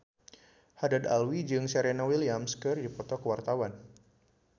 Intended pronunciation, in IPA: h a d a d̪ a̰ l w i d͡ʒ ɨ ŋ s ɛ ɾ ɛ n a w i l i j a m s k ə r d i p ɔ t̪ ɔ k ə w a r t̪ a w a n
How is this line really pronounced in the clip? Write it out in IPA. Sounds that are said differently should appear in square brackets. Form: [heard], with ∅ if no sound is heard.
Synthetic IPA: h a d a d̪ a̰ l w i d͡ʒ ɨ ŋ s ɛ ɾ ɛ n a w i l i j a m s k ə r d i p ɔ t̪ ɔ k ə w a r t̪ a w a n